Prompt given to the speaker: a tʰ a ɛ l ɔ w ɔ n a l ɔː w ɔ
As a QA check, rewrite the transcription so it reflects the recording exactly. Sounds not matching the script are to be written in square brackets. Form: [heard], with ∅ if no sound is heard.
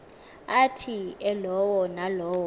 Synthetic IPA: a tʰ [i] ɛ l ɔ w ɔ n a l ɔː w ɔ

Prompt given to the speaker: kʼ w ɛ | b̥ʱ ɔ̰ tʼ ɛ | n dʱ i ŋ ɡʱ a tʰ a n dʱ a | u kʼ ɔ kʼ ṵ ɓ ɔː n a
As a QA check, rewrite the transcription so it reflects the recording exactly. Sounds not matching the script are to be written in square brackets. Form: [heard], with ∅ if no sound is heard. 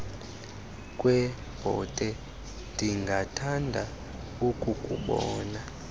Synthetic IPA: kʼ w ɛ | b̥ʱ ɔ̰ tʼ ɛ | n dʱ i ŋ ɡʱ a tʰ a n dʱ a | u kʼ [u] kʼ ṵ ɓ ɔː n a

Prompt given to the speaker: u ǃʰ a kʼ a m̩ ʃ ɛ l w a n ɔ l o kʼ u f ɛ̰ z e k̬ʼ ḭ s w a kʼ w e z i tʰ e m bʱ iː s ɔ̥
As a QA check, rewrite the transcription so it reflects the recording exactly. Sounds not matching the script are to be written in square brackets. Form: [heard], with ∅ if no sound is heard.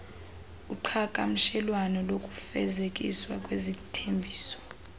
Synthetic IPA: u ǃʰ a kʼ a m̩ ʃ ɛ l w a n ɔ l o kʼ u f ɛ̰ z e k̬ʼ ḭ s w a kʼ w e z i tʰ e m bʱ iː s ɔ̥

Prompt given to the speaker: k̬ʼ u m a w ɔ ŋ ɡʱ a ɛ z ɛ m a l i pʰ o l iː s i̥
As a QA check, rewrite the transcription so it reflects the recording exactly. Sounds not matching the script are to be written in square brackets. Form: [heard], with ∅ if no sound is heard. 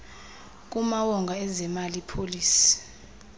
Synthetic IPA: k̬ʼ u m a w ɔ ŋ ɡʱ a ɛ z ɛ m a l i pʰ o l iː s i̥

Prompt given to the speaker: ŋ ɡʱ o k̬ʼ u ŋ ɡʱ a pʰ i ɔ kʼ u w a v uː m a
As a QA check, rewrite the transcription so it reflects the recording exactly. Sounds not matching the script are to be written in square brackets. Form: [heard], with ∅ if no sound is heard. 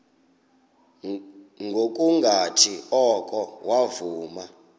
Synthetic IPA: ŋ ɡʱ o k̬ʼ u ŋ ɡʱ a [tʰ] i ɔ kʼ [ɔ] w a v uː m a

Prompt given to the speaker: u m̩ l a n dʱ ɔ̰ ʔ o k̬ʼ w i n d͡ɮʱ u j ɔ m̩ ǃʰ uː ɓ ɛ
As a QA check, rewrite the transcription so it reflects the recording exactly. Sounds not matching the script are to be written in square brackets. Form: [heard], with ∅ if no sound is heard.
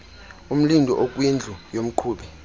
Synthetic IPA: u m̩ l [i] n dʱ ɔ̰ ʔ o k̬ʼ w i n d͡ɮʱ u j [o] m̩ ǃʰ uː ɓ ɛ

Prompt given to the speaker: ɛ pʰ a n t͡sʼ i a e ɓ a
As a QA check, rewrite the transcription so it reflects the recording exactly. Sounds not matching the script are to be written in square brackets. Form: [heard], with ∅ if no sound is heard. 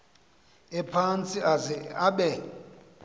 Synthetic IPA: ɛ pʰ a n t͡sʼ i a [a] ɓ [ɛ]

